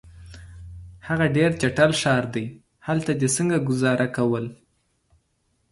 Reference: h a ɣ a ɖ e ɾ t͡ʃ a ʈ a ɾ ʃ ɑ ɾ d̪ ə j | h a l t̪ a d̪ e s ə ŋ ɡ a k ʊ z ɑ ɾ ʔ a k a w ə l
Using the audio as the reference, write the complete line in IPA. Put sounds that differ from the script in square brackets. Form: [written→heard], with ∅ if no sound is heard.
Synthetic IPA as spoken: h a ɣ a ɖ e ɾ t͡ʃ a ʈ a [ɾ→l] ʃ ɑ ɾ d̪ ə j | h a l t̪ a d̪ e s ə ŋ ɡ a [k→ɡ] ʊ z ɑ ɾ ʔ a k a w ə l